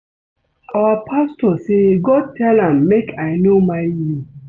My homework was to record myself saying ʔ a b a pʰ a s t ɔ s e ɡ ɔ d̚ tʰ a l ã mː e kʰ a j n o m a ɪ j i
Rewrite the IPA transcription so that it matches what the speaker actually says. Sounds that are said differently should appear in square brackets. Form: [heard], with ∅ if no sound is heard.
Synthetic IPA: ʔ a [w] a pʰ a s t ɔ s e ɡ ɔ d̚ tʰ [ɛ] l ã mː e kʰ a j n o m a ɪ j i